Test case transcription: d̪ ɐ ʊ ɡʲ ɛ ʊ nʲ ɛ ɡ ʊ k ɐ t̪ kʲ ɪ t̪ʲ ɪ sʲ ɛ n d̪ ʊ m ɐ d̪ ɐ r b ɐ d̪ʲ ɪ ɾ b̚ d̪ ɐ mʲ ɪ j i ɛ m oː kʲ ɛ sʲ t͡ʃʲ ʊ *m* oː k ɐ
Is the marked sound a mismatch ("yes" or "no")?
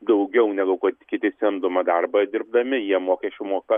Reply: no